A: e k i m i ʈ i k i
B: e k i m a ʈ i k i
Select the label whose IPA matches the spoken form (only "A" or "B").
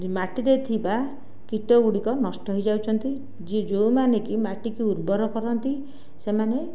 B